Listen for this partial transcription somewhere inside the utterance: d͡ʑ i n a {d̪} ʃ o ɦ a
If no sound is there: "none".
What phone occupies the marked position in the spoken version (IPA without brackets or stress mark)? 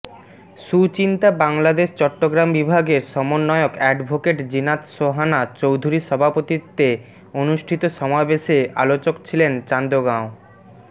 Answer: t̪